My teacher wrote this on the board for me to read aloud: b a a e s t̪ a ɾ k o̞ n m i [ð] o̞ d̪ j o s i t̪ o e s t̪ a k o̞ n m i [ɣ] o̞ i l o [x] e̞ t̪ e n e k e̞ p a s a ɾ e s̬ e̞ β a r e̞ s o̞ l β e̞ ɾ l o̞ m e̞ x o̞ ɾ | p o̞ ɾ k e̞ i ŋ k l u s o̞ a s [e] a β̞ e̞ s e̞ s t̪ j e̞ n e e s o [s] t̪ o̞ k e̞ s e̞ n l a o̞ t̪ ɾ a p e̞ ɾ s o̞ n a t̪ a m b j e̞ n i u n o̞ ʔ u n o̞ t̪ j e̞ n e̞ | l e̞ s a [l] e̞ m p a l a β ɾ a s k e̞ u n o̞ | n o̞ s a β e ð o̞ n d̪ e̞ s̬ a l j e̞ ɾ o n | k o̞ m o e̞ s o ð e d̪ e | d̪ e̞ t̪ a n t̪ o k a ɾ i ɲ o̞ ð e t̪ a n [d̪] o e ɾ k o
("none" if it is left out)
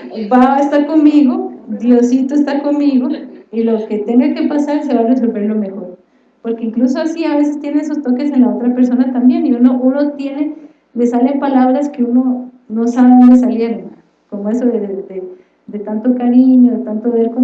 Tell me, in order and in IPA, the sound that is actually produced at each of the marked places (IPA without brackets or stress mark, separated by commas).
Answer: ɣ, ɣ, k, i, s, l, t̪